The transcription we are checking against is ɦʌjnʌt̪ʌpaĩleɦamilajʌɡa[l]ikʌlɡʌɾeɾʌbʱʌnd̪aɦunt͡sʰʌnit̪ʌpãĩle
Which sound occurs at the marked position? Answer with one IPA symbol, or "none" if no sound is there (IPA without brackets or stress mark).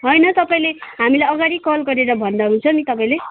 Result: ɽ